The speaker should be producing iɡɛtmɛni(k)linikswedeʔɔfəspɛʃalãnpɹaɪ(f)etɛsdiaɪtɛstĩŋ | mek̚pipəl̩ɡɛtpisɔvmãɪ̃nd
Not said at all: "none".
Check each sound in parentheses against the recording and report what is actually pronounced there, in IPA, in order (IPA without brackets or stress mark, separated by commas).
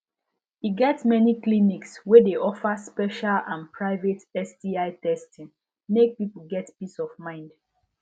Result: k, v